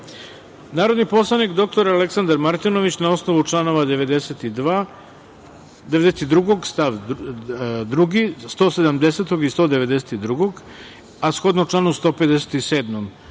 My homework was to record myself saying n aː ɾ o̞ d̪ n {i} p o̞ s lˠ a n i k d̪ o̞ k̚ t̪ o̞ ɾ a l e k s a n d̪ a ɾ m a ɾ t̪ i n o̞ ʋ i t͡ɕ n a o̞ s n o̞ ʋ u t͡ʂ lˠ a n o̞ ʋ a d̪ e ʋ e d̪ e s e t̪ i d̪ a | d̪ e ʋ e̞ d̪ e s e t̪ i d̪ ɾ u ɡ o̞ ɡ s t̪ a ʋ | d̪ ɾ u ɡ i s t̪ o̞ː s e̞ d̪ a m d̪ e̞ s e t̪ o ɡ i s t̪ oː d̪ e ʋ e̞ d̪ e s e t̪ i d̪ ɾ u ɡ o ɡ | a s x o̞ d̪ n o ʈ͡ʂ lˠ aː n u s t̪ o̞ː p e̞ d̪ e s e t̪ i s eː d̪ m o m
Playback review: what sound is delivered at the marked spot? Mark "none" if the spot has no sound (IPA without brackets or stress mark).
i